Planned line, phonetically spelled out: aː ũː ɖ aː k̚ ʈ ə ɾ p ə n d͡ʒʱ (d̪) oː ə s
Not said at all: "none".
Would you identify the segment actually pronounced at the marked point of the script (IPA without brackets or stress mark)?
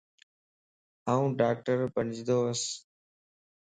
d̪